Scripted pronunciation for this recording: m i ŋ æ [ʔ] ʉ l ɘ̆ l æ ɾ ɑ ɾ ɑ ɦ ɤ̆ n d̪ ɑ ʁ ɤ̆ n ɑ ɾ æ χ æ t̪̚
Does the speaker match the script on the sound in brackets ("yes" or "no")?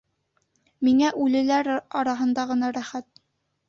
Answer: yes